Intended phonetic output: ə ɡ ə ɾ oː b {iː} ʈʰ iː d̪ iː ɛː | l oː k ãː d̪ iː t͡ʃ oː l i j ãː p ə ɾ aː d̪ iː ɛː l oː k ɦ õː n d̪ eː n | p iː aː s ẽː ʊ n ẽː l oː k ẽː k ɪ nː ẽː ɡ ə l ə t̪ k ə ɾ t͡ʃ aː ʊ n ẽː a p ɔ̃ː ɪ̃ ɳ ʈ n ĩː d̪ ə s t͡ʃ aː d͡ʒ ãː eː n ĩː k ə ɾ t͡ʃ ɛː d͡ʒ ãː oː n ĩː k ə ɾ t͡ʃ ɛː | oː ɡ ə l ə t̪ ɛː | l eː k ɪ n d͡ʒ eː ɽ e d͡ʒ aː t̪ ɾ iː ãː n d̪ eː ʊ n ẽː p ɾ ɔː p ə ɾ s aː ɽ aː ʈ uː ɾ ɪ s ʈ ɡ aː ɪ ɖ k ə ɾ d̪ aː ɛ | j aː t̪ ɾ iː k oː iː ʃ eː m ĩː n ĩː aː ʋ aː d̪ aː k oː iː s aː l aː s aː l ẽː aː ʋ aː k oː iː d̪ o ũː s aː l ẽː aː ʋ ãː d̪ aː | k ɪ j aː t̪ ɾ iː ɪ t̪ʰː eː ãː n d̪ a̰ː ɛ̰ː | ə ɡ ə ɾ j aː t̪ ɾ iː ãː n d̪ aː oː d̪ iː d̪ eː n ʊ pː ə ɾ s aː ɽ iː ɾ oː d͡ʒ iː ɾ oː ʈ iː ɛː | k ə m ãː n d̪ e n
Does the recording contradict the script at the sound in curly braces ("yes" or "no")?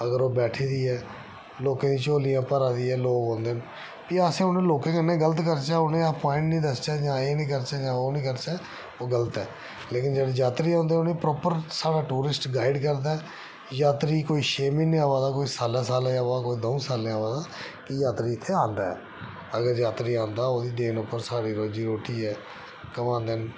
yes